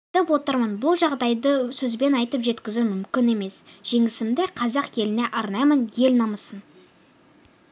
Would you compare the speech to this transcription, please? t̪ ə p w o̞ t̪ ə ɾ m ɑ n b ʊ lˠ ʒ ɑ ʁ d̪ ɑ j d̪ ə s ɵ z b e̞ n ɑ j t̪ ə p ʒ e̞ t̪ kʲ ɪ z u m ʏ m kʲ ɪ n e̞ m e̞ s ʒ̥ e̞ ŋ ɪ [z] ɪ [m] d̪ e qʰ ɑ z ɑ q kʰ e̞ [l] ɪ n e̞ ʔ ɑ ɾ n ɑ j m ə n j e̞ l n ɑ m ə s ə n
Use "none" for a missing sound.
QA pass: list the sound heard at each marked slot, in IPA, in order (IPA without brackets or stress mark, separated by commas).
s, m, l